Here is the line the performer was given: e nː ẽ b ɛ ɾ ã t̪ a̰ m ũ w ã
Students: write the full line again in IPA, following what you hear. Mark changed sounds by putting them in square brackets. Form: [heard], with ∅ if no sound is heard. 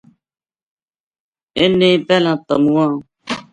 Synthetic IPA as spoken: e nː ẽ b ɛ [l] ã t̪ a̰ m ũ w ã